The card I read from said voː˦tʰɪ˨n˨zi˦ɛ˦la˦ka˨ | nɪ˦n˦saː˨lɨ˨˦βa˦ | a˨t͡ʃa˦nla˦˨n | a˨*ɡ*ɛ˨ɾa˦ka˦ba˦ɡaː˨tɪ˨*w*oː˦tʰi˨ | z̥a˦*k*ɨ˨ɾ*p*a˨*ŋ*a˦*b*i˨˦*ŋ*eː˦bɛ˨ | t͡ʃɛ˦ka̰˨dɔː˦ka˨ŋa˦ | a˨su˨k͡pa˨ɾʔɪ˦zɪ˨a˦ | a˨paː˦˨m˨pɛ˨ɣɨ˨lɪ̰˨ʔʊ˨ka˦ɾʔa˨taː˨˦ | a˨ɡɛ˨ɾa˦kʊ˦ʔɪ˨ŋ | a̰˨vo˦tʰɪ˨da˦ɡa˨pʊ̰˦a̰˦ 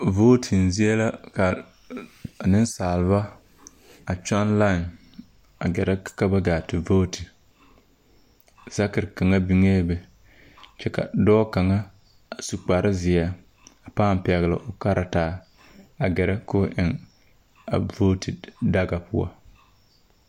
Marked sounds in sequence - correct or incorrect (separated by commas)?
correct, incorrect, correct, incorrect, correct, correct, correct